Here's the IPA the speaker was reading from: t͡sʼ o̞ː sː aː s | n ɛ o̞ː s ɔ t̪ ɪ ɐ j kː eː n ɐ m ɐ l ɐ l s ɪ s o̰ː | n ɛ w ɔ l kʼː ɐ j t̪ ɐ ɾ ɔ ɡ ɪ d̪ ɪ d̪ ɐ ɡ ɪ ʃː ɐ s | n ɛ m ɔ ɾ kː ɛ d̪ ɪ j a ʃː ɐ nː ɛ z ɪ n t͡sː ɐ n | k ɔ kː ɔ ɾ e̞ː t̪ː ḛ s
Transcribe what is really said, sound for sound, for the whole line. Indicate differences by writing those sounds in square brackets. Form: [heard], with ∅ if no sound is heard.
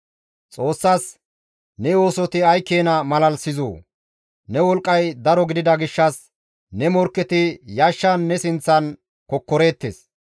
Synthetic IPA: t͡sʼ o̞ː sː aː s | n ɛ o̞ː s ɔ t̪ ɪ ɐ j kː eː n ɐ m ɐ l ɐ l s ɪ [z] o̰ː | n ɛ w ɔ l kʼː ɐ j [d̪] ɐ ɾ ɔ ɡ ɪ d̪ ɪ d̪ ɐ ɡ ɪ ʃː ɐ s | n ɛ m ɔ ɾ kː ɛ [t̪] ɪ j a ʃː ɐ nː ɛ [s] ɪ n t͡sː ɐ n | k ɔ kː ɔ ɾ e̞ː t̪ː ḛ s